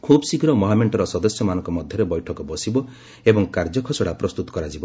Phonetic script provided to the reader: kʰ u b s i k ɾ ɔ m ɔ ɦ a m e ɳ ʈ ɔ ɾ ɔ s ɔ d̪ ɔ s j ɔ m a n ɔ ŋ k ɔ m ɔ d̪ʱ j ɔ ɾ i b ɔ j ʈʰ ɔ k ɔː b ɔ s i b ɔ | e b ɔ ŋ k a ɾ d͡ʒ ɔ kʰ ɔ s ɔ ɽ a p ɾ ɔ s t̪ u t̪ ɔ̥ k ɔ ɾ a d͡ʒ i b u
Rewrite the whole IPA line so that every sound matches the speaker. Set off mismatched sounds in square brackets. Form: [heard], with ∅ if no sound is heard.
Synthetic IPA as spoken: kʰ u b s i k ɾ ɔ m ɔ ɦ a m e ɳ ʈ ɔ ɾ ɔ s ɔ d̪ ɔ s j ɔ m a n ɔ ŋ k ɔ m ɔ d̪ʱ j ɔ ɾ [e] b ɔ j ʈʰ ɔ k [ɔ] b ɔ s i b ɔ | e b ɔ ŋ k a ɾ d͡ʒ ɔ kʰ ɔ s ɔ ɽ a p ɾ ɔ s t̪ u t̪ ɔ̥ k ɔ ɾ a d͡ʒ i b [ɔ]